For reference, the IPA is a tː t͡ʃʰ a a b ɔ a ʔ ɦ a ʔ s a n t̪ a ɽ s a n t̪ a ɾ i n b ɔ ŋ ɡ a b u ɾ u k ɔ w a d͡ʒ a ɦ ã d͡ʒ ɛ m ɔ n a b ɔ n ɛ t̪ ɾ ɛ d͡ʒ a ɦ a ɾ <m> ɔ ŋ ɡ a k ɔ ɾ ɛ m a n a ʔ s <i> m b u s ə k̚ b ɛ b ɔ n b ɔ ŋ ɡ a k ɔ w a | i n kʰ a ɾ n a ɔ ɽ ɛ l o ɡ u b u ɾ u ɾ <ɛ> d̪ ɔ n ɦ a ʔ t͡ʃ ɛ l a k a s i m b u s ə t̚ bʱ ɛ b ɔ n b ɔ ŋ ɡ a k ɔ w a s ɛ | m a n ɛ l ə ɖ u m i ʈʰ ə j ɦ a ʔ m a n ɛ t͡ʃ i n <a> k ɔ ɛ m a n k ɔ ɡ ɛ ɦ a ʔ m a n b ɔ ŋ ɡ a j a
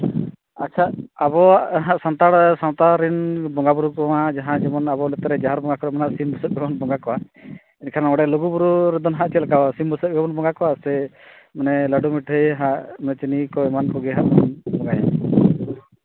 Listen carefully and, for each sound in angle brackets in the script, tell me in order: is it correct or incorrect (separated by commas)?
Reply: incorrect, correct, correct, incorrect